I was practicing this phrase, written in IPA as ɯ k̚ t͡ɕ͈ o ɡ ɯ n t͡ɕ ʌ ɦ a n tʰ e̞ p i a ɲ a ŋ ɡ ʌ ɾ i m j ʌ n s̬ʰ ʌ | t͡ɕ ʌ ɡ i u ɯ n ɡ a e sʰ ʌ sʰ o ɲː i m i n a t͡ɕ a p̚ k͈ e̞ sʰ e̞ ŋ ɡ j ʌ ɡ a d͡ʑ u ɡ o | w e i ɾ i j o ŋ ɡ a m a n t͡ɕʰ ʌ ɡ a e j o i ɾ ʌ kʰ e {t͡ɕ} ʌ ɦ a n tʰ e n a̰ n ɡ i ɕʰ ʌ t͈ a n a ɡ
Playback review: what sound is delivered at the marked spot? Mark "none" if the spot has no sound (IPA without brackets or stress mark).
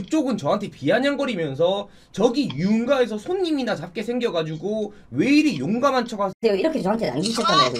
t͡ɕ